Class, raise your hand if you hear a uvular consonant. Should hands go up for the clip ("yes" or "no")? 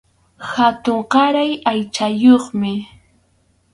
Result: yes